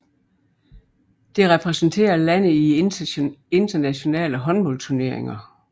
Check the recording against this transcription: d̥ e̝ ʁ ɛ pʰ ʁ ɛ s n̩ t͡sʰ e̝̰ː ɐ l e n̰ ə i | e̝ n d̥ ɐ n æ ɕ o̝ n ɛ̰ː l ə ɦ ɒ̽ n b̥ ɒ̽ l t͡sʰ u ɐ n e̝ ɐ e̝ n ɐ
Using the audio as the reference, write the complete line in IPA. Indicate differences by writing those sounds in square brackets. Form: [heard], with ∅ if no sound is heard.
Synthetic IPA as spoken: d̥ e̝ ʁ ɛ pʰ ʁ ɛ s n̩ t͡sʰ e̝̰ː ɐ l [æ] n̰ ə i | e̝ n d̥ ɐ n æ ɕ o̝ n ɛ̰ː l ə ɦ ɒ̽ n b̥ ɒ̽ l t͡sʰ u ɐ n e̝ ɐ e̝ [ŋ] ɐ